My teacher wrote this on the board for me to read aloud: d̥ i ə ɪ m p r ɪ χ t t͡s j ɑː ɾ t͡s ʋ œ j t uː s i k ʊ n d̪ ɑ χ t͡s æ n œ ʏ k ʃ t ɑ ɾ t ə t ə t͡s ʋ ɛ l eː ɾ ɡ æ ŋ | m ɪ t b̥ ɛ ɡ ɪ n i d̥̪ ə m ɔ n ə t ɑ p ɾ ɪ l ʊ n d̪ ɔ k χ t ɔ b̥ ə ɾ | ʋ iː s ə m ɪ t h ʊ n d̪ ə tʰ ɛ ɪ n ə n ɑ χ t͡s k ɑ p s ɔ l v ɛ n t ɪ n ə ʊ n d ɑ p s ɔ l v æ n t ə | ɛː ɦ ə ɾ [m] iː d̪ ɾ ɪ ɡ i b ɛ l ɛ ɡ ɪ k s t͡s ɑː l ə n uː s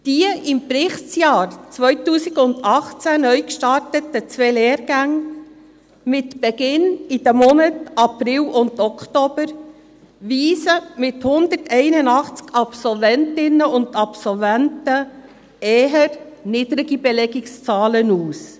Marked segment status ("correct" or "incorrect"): incorrect